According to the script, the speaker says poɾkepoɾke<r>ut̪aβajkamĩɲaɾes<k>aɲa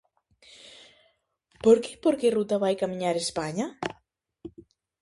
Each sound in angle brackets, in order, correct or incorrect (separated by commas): correct, incorrect